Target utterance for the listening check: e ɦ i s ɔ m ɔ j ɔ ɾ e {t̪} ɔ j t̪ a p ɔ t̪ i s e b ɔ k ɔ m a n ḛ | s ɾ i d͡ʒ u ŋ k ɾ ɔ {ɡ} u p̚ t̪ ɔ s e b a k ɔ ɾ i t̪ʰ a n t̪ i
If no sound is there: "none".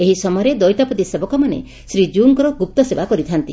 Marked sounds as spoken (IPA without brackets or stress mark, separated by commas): d̪, ɡ